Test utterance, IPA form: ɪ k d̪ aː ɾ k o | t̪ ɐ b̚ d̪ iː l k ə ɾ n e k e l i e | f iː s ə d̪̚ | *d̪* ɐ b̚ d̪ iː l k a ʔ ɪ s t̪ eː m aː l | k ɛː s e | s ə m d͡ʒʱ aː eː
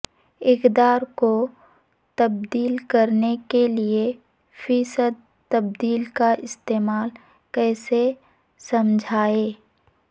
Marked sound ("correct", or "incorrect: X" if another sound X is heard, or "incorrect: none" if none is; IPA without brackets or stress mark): incorrect: t̪